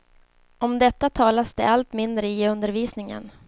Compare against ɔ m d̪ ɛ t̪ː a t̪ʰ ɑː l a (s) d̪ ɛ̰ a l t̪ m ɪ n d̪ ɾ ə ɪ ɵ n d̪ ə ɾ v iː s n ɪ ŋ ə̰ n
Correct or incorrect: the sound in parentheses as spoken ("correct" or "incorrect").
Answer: correct